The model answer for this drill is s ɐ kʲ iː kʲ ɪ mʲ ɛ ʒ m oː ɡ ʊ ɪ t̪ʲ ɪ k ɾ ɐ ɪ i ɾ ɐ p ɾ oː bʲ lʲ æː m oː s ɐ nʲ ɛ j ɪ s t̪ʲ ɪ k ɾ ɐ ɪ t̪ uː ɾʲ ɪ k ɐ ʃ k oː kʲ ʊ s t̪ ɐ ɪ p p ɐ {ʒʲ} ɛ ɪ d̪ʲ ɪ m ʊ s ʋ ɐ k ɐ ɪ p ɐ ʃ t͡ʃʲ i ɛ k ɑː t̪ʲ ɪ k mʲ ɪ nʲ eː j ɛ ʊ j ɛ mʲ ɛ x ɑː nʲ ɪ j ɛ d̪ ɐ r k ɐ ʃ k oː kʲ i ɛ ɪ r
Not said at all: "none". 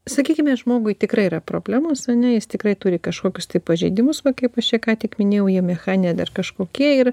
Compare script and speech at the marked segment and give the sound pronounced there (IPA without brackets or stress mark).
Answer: ʒʲ